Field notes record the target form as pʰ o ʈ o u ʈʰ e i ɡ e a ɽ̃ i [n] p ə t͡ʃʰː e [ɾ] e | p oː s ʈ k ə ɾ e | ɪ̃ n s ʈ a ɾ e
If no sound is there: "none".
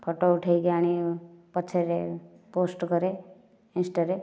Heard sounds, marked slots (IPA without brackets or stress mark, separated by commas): none, ɾ